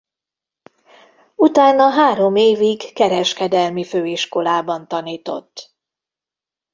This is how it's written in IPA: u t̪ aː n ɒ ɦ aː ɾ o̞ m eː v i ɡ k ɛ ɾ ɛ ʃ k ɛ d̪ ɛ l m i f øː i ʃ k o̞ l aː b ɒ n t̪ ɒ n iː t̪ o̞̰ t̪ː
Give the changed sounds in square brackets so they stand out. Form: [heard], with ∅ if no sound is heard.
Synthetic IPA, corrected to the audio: u t̪ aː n ɒ ɦ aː ɾ o̞ m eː v i ɡ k ɛ ɾ ɛ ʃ k ɛ d̪ ɛ l m i f øː i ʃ k o̞ l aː b ɒ n t̪ ɒ n iː t̪ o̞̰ t̪ː